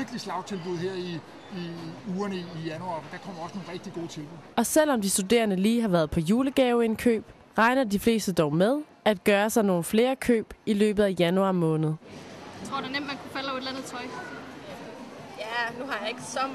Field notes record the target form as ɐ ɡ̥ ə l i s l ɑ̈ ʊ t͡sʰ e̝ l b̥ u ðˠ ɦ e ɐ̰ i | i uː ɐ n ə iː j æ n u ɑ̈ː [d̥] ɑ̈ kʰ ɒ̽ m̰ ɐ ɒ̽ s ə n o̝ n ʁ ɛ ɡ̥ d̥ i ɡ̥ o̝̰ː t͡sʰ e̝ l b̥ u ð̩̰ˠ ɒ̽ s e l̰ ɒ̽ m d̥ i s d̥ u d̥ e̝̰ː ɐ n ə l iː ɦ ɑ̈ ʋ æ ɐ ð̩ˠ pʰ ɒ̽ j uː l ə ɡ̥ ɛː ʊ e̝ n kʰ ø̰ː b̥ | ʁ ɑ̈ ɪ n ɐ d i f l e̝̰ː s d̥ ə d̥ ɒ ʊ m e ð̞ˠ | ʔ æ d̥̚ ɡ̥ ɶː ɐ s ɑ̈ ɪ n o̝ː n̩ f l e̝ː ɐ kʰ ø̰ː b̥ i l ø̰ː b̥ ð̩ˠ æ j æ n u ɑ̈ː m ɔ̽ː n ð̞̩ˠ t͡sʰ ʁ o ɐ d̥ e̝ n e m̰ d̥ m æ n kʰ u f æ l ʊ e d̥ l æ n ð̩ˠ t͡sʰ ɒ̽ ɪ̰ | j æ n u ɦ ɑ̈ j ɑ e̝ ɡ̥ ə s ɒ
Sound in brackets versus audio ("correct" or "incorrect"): correct